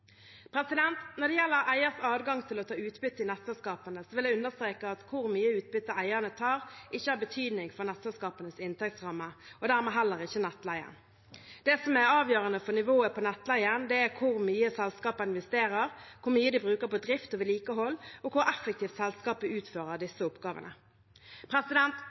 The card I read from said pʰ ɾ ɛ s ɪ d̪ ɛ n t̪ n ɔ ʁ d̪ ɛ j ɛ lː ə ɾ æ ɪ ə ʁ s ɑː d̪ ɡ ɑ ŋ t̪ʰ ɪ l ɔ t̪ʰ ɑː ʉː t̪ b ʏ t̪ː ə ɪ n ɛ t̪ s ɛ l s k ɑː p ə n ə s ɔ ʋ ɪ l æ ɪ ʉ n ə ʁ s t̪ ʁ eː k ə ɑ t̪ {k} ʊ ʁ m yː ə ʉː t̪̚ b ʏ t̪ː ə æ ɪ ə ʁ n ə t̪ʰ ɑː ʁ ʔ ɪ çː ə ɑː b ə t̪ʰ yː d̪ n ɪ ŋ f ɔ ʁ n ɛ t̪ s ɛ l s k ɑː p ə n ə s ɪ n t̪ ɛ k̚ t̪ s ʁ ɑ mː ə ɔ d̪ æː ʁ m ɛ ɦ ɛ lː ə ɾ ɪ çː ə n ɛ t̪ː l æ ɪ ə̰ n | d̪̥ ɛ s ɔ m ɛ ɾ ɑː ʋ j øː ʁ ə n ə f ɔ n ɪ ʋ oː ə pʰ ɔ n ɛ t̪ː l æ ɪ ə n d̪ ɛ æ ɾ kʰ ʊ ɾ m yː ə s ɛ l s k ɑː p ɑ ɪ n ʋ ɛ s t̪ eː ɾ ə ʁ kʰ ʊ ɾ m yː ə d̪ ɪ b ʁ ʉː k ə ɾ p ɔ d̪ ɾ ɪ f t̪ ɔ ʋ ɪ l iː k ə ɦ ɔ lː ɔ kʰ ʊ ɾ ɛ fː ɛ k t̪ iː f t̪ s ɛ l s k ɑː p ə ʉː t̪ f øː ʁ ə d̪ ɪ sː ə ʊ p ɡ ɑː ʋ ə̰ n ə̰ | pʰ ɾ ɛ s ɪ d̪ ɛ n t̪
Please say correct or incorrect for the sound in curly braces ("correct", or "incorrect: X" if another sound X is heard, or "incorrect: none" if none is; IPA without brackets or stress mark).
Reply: incorrect: kʰ